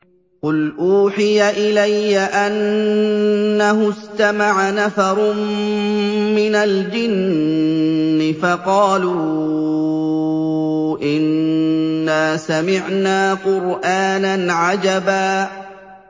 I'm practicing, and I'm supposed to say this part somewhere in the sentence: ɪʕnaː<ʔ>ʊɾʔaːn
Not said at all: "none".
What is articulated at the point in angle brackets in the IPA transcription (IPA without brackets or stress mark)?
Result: q